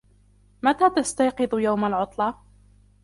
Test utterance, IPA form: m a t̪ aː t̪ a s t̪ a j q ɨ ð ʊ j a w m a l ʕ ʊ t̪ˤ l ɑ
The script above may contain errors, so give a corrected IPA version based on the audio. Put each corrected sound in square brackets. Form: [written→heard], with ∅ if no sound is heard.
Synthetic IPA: m a t̪ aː t̪ a s t̪ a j q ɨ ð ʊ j a w m a l ʕ ʊ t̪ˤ l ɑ